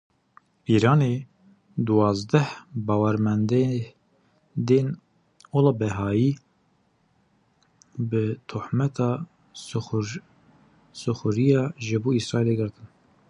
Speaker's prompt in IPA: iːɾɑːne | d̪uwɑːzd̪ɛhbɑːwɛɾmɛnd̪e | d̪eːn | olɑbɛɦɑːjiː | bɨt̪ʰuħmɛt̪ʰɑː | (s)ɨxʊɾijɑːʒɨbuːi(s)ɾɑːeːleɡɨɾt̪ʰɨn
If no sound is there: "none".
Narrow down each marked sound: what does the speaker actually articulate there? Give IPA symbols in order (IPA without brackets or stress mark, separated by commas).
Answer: s, s